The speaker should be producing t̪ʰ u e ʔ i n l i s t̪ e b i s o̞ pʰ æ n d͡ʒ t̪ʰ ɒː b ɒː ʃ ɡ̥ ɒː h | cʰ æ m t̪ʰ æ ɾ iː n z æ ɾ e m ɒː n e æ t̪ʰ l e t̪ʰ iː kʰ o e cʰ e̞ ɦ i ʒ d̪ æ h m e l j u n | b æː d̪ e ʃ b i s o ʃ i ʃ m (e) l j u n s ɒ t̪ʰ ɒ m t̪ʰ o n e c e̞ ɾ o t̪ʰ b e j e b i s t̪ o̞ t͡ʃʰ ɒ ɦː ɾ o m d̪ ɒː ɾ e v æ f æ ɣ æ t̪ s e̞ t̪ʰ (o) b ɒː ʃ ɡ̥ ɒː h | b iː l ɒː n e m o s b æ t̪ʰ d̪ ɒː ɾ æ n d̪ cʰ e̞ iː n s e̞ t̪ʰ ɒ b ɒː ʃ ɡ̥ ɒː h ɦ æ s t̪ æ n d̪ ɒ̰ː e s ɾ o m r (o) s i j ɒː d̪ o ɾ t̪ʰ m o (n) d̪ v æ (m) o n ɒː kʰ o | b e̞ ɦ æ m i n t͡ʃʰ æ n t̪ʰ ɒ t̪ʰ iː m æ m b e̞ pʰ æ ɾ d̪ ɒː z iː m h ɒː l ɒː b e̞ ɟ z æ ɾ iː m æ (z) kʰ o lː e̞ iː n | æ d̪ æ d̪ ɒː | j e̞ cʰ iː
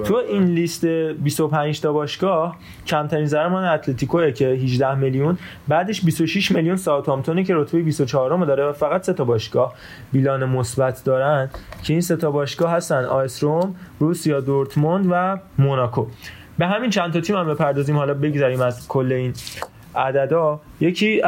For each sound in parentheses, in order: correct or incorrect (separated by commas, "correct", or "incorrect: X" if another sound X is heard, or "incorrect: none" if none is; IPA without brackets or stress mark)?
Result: correct, incorrect: ɒ, incorrect: u, correct, correct, correct